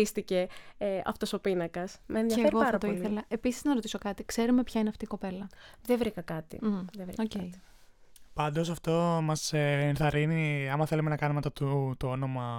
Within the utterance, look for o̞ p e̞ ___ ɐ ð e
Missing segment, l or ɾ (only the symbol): l